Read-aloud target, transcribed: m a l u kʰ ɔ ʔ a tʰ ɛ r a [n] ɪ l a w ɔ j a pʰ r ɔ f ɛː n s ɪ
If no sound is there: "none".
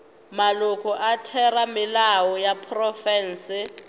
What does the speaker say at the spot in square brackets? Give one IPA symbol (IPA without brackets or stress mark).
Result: m